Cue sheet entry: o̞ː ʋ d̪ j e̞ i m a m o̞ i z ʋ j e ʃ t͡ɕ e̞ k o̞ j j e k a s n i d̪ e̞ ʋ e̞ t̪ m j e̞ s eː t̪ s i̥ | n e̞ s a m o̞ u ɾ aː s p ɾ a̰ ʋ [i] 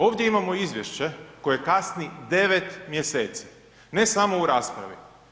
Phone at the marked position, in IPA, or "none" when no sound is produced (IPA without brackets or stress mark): i